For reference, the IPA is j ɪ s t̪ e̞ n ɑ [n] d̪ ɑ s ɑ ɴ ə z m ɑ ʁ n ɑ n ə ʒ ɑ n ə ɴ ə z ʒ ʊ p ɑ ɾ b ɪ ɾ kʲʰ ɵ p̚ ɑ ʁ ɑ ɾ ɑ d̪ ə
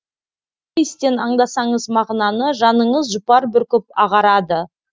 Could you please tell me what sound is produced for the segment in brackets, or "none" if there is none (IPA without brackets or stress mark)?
ɴ